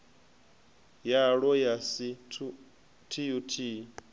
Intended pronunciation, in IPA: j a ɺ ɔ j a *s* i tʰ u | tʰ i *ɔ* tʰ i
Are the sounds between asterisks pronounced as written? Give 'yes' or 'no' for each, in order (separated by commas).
yes, no